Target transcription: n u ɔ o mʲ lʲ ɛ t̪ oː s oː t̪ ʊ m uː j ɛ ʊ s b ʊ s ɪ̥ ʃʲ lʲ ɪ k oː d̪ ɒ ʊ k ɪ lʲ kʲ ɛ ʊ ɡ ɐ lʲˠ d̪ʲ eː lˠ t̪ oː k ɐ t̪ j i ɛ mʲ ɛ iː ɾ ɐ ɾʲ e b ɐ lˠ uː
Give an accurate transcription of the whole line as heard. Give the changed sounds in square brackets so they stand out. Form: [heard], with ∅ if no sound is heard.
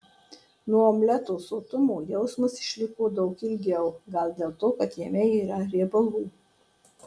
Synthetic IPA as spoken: n u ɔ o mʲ lʲ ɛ t̪ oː s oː t̪ ʊ m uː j ɛ ʊ s [m] ʊ s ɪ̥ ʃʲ lʲ ɪ k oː d̪ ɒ ʊ k ɪ lʲ [ɡʲ] ɛ ʊ ɡ ɐ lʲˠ d̪ʲ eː lˠ t̪ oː k ɐ t̪ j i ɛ mʲ ɛ iː ɾ ɐ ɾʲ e b ɐ lˠ uː